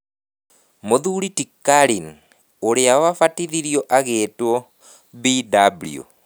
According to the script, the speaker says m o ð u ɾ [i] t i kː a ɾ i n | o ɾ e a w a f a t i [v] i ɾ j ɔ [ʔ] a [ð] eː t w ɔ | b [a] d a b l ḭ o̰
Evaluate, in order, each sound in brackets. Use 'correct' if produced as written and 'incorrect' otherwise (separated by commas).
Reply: correct, incorrect, correct, incorrect, incorrect